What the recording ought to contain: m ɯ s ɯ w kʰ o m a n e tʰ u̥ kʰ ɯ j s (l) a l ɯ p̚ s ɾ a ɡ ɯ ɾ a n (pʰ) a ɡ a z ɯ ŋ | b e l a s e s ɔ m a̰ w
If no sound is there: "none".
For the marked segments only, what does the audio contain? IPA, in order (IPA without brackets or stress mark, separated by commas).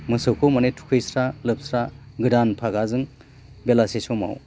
ɾ, pʰ